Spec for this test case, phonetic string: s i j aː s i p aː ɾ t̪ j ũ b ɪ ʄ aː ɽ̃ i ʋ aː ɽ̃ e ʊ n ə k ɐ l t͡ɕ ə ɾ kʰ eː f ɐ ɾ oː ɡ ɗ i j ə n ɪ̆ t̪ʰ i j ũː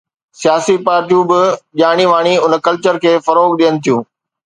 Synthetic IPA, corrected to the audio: s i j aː s i p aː ɾ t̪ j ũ b ɪ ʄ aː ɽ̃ i ʋ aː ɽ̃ i ʊ n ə k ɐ l t͡ɕ ə ɾ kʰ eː f ɐ ɾ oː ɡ ɗ i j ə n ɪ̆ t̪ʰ i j ũː